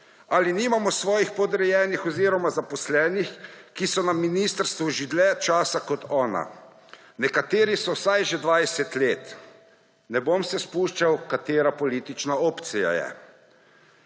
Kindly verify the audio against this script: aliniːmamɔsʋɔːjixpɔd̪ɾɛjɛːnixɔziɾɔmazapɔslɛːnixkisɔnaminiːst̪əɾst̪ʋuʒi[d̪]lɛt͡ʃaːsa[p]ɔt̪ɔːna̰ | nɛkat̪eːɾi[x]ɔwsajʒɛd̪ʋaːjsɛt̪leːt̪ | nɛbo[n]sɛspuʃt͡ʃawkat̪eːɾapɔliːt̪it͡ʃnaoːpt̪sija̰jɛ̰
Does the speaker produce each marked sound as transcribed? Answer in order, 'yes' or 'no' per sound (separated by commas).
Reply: yes, no, no, no